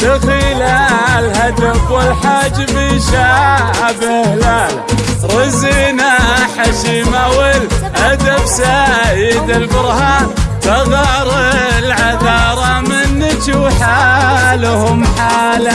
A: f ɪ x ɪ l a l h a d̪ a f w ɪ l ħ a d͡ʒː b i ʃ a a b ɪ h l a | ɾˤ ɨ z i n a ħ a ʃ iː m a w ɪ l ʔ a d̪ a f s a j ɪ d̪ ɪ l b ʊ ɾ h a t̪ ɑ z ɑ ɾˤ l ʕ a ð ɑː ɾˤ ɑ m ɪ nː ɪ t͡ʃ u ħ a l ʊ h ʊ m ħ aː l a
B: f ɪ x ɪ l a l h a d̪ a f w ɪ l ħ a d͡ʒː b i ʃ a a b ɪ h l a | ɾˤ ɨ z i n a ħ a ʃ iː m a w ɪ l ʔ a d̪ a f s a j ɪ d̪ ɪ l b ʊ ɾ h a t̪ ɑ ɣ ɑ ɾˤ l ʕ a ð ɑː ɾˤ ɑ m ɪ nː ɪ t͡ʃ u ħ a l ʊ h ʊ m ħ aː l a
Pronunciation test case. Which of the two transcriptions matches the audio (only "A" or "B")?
B